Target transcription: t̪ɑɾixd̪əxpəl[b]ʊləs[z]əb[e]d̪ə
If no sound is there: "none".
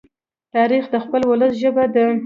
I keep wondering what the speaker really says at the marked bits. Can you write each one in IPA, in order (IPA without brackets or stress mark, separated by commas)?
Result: w, ʒ, a